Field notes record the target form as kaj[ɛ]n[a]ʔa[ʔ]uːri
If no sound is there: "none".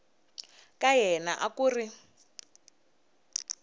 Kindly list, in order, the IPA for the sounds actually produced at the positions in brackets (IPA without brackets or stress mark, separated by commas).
ɛ, a, k